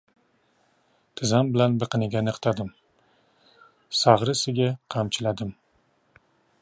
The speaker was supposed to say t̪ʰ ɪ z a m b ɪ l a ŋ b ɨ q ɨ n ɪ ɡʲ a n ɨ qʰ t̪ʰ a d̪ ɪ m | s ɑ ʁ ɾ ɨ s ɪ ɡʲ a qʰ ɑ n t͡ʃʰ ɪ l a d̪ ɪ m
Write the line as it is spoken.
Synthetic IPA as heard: t̪ʰ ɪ z a m b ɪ l a n b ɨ q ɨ n ɪ ɡʲ a n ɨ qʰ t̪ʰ a d̪ ɪ m | s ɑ ʁ ɾ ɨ s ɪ ɡʲ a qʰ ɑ m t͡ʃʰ ɪ l a d̪ ɪ m